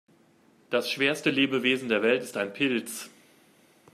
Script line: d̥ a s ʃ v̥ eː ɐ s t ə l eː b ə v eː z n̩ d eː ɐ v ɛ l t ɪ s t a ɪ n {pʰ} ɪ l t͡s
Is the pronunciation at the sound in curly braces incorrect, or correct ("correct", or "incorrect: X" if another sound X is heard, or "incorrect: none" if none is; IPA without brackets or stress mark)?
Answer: correct